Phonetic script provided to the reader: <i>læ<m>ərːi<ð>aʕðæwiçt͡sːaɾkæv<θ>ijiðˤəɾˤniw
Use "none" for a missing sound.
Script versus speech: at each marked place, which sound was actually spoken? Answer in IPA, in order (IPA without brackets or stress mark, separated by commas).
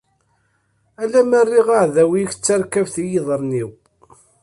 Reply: æ, m, ʁ, θ